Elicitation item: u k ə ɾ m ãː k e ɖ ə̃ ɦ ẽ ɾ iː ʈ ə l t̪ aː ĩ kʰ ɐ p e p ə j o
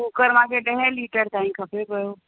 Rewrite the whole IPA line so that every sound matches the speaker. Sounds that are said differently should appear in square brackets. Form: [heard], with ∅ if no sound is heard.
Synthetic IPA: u k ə ɾ m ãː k e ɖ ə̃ ɦ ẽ [l] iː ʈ ə [ɾ] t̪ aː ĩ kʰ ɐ p e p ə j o